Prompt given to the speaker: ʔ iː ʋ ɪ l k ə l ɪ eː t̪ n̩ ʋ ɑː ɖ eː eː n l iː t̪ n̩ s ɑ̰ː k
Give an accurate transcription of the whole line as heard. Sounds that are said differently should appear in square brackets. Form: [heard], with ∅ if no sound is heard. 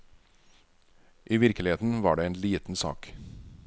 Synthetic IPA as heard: ʔ iː ʋ ɪ [ɾ] k ə l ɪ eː t̪ n̩ ʋ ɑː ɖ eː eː n l iː t̪ n̩ s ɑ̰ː k

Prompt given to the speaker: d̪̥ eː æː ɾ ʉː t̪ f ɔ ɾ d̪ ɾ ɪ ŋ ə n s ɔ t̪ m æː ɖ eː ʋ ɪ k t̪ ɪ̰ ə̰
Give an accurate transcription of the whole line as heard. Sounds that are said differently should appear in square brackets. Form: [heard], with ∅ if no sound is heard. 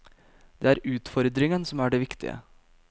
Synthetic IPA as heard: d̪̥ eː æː ɾ ʉː t̪ f ɔ ɾ d̪ ɾ ɪ ŋ ə n s ɔ [∅] m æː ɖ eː ʋ ɪ k t̪ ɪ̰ ə̰

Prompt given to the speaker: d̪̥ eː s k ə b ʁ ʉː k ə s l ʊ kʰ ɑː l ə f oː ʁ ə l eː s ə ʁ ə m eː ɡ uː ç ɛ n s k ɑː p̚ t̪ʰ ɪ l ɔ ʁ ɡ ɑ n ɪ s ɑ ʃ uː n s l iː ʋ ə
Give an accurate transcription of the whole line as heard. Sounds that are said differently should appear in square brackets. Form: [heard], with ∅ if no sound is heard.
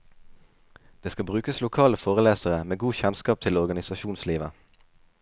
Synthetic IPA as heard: d̪̥ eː s k [ɑ] b ʁ ʉː k ə s l ʊ kʰ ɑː l ə f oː ʁ ə l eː s ə ʁ ə m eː ɡ uː ç ɛ n s k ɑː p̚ t̪ʰ ɪ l ɔ ʁ ɡ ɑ n ɪ s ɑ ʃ uː n s l iː ʋ ə

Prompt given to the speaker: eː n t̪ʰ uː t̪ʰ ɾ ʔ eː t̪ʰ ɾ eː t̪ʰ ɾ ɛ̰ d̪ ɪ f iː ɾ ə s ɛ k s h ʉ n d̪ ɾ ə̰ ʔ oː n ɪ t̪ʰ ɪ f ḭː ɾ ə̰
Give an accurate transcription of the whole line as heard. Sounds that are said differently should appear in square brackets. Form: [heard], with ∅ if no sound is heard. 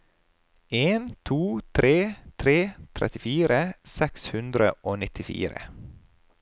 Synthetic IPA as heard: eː n t̪ʰ uː t̪ʰ ɾ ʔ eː t̪ʰ ɾ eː t̪ʰ ɾ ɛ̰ [t̪] ɪ f iː ɾ ə s ɛ k s h ʉ n d̪ ɾ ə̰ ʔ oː n ɪ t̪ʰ ɪ f ḭː ɾ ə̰

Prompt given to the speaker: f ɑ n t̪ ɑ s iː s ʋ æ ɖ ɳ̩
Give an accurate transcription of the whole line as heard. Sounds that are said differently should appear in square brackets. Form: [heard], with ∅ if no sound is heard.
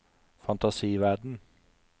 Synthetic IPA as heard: f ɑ n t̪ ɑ s iː [∅] ʋ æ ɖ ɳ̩

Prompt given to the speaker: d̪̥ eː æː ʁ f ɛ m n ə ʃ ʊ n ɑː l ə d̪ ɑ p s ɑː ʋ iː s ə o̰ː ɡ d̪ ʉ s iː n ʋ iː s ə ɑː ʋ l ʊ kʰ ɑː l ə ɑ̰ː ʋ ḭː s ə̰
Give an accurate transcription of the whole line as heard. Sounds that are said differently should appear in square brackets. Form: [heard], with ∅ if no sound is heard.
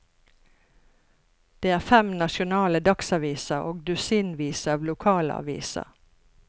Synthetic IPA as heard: d̪̥ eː æː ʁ f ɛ m n [ɑ] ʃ ʊ n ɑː l ə d̪ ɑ [k] s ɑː ʋ iː s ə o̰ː ɡ d̪ ʉ s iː n ʋ iː s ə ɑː ʋ l ʊ kʰ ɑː l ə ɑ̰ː ʋ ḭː s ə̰

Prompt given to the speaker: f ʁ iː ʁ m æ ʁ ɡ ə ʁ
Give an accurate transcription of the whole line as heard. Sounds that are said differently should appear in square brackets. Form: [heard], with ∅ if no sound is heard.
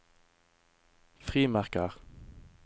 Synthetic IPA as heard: f ʁ iː [∅] m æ ʁ [k] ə ʁ

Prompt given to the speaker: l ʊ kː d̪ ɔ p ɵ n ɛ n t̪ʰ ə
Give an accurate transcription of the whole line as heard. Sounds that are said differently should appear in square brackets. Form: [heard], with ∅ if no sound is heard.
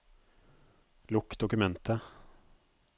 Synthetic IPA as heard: l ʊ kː d̪ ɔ [k] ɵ [m] ɛ n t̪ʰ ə

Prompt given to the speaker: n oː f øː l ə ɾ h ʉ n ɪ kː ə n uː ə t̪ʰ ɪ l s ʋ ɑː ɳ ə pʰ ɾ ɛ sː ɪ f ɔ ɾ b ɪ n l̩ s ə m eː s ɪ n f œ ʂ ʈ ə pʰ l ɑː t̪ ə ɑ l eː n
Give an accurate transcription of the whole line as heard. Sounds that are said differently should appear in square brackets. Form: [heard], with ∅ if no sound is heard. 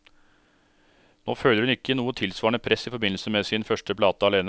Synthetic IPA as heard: n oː f øː l ə ɾ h ʉ n ɪ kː ə n uː ə t̪ʰ ɪ l s ʋ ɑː ɳ ə pʰ ɾ ɛ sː ɪ f ɔ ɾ b ɪ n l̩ s ə m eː s ɪ n f œ ʂ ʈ ə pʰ l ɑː t̪ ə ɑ l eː n

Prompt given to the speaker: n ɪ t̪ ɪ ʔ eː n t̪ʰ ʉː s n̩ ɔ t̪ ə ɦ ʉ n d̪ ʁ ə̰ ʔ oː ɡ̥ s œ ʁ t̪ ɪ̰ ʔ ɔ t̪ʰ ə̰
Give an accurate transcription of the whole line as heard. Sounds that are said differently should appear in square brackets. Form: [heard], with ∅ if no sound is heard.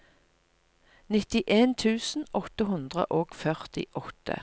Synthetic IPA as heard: n ɪ t̪ ɪ ʔ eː n t̪ʰ ʉː s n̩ ɔ t̪ ə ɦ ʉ n d̪ ʁ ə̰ ʔ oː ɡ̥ [f] œ ʁ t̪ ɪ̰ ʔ ɔ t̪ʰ ə̰

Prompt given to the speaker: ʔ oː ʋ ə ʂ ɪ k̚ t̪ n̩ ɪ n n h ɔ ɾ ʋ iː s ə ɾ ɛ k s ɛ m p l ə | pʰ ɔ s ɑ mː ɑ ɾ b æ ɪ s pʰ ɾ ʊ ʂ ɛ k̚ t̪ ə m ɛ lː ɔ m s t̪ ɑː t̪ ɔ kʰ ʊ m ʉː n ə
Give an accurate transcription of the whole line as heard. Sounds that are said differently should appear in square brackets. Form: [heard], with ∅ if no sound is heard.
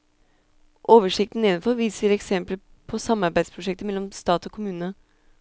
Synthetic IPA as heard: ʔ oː ʋ ə ʂ ɪ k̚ t̪ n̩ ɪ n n [f] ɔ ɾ ʋ iː s ə ɾ ɛ k s ɛ m p l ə | pʰ ɔ s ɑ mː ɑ ɾ b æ ɪ s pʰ ɾ ʊ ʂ ɛ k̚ t̪ ə m ɛ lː ɔ m s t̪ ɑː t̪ ɔ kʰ ʊ m ʉː n ə

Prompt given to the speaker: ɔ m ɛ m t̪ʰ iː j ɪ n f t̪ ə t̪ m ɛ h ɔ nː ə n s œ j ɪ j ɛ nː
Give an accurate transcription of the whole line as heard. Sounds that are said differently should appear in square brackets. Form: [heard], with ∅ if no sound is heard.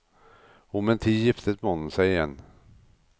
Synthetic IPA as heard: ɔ m ɛ [n] t̪ʰ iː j ɪ [∅] f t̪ ə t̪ m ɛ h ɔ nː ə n s [ɛ] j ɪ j ɛ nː

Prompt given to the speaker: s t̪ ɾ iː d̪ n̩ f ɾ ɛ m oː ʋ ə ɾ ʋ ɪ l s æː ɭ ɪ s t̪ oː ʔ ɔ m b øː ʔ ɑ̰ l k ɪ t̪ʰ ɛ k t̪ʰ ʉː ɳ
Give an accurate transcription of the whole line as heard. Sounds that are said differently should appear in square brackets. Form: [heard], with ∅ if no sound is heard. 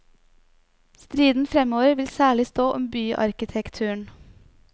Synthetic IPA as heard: s t̪ ɾ iː d̪ n̩ f ɾ ɛ m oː ʋ ə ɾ ʋ ɪ l s æː ɭ ɪ s t̪ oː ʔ ɔ m b [yː] ʔ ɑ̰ [ɾ] k ɪ t̪ʰ ɛ k t̪ʰ ʉː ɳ

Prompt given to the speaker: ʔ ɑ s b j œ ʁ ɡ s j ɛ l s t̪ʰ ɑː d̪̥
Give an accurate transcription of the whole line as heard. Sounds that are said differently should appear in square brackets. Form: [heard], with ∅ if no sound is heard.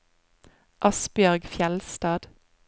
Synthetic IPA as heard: ʔ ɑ s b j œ ʁ ɡ [f] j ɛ l s [t̪] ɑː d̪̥

